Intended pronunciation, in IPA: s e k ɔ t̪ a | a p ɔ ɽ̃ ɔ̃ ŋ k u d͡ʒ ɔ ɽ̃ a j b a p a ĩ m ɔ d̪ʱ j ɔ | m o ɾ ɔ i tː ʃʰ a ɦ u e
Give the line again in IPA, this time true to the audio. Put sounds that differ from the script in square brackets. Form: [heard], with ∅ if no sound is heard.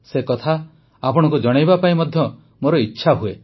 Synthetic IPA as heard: s e k ɔ [t̪ʰ] a | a p ɔ ɽ̃ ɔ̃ ŋ k u d͡ʒ ɔ ɽ̃ a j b a p a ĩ m ɔ d̪ʱ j ɔ | m o ɾ ɔ i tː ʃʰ a ɦ u e